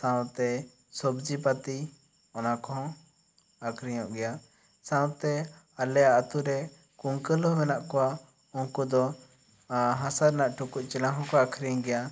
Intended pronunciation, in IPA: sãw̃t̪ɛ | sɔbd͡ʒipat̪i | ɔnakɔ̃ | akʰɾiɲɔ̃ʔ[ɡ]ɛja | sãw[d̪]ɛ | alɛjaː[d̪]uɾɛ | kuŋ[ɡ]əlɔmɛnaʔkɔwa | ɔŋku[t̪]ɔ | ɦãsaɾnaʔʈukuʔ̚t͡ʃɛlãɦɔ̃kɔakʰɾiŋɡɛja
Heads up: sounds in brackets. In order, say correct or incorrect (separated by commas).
correct, incorrect, incorrect, incorrect, incorrect